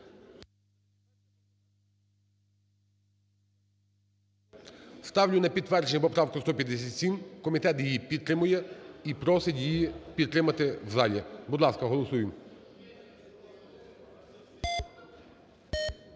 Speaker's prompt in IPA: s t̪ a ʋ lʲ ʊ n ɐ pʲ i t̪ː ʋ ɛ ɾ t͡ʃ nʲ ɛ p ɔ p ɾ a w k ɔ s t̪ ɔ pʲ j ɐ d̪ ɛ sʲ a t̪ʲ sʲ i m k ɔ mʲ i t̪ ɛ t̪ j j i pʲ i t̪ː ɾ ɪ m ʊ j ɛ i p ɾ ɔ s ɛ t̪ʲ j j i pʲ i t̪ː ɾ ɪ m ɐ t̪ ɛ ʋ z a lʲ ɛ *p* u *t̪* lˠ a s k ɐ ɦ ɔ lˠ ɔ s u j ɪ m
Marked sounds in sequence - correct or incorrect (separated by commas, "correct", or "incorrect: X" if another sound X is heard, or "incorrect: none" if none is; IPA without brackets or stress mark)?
incorrect: b, incorrect: d̪